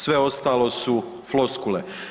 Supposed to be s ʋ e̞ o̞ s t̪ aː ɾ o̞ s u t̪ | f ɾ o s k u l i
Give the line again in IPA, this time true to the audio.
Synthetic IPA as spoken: s ʋ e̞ o̞ s t̪ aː l o̞ s u | f l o s k u l e